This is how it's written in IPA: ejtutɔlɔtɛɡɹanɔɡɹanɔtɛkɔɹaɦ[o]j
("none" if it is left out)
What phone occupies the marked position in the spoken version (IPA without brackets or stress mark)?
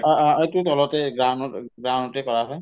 ɔ